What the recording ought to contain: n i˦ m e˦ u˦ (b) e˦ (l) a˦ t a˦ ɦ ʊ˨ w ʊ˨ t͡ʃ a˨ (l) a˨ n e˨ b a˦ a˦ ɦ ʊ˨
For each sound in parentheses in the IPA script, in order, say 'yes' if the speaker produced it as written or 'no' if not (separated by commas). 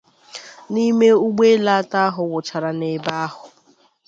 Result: no, yes, no